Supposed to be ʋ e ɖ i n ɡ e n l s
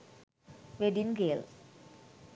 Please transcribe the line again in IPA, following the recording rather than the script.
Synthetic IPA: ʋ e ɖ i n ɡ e l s

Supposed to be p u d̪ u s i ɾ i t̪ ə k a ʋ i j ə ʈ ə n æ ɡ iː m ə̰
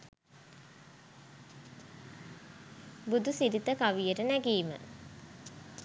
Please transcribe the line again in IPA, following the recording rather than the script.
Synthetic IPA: b u d̪ u s i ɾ i t̪ ə k a ʋ i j ə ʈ ə n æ ɡ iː m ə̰

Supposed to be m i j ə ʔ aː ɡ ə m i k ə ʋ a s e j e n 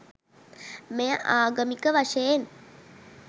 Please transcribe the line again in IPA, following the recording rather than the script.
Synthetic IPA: m e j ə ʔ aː ɡ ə m i k ə ʋ a ʂ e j e n

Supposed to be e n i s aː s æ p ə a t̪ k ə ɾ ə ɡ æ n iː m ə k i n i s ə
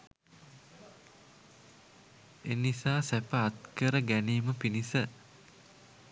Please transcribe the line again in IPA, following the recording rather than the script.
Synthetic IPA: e n i s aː s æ p ə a t̪ k ə ɾ ə ɡ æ n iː m ə p i n i s ə

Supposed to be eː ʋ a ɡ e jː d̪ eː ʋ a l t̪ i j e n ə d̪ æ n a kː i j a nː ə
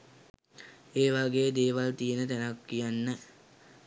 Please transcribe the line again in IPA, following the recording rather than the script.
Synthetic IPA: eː ʋ a ɡ e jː d̪ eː ʋ a l t̪ i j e n ə t̪ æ n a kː i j a nː ə

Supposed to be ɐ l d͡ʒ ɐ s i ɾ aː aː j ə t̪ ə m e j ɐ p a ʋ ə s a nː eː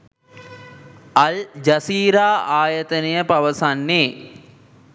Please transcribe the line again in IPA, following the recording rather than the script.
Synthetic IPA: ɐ l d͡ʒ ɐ s iː ɾ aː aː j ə t̪ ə n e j ə p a ʋ ə s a nː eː

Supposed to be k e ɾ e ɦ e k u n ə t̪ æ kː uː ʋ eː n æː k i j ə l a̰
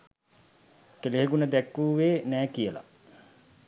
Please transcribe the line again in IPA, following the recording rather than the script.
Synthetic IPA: k e l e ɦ e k u n ə d̪ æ kː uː ʋ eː n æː k i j ə l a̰

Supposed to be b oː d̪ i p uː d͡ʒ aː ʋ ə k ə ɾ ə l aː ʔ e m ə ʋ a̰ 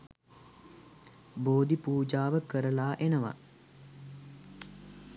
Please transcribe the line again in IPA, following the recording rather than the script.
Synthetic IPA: b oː d̪ i p uː d͡ʒ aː ʋ ə k ə ɾ ə l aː ʔ e n ə ʋ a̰

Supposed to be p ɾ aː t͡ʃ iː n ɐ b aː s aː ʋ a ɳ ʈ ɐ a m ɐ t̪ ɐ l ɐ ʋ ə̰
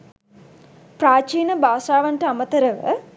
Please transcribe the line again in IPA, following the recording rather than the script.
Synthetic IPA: p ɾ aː t͡ʃ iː n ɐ b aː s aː ʋ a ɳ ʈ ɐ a m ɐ t̪ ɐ ɾ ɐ ʋ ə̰

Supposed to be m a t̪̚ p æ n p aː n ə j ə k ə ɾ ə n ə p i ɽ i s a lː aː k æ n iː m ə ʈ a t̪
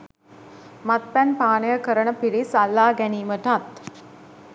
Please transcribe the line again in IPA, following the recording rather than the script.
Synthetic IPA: m a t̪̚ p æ n p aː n ə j ə k ə ɾ ə n ə p i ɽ i s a lː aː ɡ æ n iː m ə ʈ a t̪

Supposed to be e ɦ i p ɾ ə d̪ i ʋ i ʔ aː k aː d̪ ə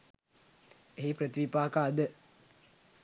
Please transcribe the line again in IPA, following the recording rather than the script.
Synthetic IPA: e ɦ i p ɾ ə t̪ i ʋ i p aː k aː d̪ ə

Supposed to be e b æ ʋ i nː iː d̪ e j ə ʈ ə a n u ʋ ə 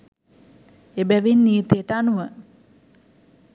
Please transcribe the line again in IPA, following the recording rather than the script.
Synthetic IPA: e b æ ʋ i nː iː t̪ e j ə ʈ ə a n u ʋ ə

